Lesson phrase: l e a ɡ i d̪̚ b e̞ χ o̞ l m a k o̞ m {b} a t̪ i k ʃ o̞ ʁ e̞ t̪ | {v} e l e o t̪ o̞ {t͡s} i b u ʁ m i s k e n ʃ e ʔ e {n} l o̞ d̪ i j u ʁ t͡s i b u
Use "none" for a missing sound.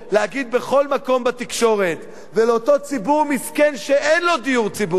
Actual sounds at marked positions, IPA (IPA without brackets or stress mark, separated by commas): b, v, t͡s, n